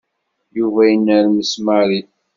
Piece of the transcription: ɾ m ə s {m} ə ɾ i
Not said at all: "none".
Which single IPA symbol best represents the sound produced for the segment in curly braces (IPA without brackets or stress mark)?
m